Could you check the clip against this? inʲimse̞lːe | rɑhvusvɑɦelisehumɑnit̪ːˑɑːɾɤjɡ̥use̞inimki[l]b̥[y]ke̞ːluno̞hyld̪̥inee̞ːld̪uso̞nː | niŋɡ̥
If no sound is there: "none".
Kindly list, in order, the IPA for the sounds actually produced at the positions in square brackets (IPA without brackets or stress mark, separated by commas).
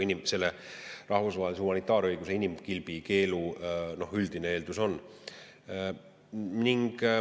l, i